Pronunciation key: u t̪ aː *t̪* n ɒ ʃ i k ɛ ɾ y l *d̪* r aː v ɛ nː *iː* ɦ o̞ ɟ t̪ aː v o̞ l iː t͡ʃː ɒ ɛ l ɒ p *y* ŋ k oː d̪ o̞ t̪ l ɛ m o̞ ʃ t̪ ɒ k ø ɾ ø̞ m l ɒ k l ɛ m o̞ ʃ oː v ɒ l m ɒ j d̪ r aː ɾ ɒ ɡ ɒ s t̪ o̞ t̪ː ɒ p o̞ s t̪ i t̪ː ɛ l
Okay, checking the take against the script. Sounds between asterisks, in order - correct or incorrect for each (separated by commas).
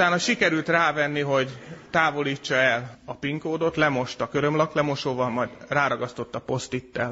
incorrect, incorrect, incorrect, incorrect